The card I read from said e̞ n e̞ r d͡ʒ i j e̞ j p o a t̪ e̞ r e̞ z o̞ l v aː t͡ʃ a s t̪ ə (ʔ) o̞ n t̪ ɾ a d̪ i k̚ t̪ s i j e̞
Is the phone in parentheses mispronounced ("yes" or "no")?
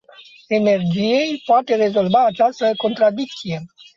yes